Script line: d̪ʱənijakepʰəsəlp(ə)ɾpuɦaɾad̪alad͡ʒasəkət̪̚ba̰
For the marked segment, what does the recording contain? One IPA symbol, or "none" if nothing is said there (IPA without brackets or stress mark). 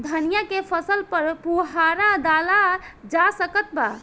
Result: ə